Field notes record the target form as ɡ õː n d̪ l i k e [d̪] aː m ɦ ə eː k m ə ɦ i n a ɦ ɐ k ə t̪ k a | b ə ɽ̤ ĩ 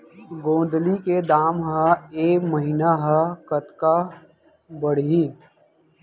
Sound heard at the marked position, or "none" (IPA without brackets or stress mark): d̪